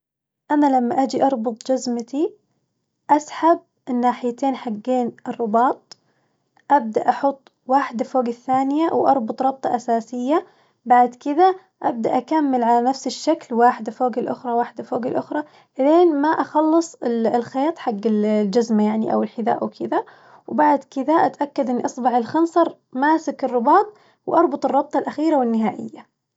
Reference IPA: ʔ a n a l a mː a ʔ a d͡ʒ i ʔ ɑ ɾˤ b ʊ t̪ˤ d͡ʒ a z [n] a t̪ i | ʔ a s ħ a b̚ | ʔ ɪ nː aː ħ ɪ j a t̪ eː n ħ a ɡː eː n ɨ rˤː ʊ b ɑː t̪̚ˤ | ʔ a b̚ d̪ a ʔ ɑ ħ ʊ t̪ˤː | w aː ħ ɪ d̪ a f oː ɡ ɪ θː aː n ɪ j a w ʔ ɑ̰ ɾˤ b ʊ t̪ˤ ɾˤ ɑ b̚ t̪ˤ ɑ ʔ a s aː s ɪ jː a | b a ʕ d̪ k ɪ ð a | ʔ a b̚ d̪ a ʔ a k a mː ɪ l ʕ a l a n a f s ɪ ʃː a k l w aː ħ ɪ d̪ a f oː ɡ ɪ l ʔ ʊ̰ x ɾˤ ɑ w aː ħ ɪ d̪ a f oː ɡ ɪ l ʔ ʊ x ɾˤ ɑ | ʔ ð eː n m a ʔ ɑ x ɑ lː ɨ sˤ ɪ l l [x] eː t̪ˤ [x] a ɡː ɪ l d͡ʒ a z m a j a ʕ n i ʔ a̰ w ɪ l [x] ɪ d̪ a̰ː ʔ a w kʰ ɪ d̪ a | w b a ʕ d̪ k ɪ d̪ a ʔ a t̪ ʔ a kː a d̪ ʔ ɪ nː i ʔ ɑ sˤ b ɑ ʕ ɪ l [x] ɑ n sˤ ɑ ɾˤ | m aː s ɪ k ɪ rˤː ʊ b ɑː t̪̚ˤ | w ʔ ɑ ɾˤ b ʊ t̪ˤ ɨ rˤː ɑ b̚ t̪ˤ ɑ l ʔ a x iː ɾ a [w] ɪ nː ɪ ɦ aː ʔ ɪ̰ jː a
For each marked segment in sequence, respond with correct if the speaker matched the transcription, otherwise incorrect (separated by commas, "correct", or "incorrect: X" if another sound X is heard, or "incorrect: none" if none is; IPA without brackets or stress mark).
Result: incorrect: m, correct, incorrect: ħ, incorrect: ħ, correct, correct